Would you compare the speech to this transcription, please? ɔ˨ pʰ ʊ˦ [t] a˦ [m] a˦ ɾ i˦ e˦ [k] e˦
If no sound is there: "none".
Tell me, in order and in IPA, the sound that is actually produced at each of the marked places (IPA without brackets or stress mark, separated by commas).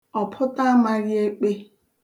t, m, k͡p